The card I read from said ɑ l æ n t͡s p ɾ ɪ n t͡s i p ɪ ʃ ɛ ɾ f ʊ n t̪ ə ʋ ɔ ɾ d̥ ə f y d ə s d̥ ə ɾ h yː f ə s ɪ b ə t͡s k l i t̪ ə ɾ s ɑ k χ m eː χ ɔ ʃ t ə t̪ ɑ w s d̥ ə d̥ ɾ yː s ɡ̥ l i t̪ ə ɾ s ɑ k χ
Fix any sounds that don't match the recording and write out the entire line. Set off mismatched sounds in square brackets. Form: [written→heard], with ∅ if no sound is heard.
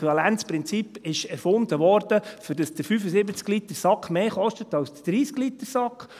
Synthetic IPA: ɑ l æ n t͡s p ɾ ɪ n t͡s i p ɪ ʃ ɛ ɾ f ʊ n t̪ ə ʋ ɔ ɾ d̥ ə f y d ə s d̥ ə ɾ [h→f] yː f ə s ɪ b ə t͡s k l i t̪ ə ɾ s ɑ k χ m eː χ ɔ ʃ t ə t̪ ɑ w s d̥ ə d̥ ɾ [yː→iː] s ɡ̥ l i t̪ ə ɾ s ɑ k χ